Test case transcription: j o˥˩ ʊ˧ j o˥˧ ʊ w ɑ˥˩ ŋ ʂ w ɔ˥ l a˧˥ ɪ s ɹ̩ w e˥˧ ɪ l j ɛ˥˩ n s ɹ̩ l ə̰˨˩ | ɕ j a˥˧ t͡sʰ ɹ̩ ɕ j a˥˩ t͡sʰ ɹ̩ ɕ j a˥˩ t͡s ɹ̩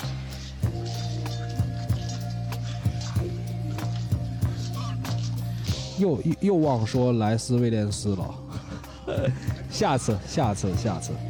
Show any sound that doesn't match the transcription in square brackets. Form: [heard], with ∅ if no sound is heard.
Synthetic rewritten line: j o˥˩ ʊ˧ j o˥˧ ʊ w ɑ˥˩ ŋ ʂ w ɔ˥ l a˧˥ ɪ s ɹ̩ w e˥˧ ɪ l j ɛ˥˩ n s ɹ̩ l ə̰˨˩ | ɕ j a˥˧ t͡sʰ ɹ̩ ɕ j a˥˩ t͡sʰ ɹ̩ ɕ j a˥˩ [t͡sʰ] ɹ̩